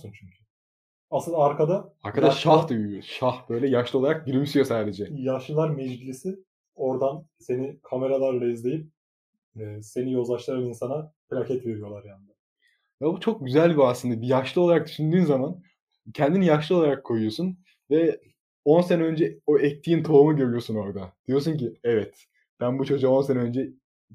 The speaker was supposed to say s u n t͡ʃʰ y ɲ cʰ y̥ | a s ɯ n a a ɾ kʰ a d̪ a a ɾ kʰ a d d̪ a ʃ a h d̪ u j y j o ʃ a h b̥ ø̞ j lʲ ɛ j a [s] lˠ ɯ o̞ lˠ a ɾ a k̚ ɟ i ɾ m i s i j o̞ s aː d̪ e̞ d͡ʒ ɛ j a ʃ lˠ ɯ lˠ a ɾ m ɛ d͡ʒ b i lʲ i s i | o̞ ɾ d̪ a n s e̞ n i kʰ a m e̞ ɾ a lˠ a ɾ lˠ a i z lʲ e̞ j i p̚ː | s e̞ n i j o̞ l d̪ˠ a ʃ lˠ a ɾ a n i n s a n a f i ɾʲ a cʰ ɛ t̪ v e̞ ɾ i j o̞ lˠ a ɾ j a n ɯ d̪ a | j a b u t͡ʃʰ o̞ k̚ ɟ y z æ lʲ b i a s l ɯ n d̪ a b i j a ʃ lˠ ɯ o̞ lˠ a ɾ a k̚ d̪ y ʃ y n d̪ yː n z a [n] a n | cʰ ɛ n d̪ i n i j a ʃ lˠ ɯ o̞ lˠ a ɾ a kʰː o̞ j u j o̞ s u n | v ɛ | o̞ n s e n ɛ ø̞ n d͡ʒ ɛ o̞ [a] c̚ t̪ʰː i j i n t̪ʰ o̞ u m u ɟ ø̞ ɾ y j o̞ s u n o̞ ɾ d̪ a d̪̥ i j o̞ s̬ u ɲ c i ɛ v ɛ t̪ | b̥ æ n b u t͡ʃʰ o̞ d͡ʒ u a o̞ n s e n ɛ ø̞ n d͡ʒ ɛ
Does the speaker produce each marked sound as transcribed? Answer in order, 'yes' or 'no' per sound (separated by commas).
no, no, no